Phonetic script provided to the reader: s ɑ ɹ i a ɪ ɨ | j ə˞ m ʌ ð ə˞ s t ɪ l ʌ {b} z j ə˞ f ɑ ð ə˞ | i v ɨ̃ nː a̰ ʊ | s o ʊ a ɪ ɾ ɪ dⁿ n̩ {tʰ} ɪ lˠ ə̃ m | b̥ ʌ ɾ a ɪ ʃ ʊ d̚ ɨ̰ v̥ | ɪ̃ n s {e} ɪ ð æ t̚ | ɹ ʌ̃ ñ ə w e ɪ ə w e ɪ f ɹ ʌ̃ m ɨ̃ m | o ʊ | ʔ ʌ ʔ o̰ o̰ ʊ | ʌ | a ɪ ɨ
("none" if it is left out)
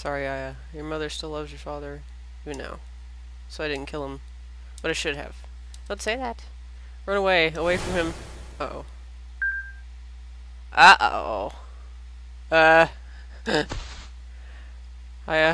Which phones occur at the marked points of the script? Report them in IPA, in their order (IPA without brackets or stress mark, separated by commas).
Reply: v, kʰ, e